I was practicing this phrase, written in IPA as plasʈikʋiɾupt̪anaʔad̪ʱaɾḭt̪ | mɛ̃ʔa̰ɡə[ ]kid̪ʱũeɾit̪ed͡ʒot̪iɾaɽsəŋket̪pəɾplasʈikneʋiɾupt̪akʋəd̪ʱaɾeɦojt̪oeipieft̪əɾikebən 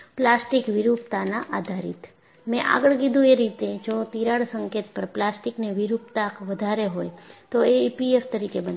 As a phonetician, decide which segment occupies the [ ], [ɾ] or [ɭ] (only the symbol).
ɭ